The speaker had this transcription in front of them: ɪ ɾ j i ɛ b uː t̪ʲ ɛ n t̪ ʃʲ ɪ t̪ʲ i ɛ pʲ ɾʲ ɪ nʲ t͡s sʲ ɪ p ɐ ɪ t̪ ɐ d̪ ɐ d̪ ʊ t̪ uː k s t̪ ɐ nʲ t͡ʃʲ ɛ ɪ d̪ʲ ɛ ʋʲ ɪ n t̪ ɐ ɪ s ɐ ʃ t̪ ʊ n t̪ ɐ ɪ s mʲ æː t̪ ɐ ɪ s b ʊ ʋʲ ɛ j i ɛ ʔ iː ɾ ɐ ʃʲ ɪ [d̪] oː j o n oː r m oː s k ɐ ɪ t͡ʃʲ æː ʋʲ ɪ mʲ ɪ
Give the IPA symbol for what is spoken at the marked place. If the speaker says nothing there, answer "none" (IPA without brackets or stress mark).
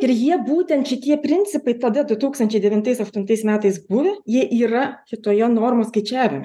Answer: t̪